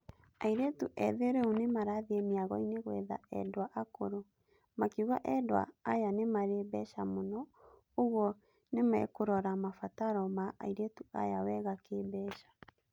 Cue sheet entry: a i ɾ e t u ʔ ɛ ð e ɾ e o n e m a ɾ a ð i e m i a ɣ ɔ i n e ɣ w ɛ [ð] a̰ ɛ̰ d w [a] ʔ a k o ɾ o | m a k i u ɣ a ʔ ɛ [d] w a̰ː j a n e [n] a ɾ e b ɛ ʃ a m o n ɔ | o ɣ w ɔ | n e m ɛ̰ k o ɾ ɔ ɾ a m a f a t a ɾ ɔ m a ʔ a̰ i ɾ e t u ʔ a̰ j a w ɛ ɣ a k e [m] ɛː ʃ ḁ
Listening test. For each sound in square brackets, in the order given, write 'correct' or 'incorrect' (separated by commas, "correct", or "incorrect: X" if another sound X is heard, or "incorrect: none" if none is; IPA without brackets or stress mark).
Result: correct, correct, correct, incorrect: m, incorrect: b